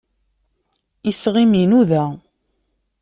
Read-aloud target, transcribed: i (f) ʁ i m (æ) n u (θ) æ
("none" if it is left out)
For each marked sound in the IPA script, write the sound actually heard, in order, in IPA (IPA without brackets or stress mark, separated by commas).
s, i, ð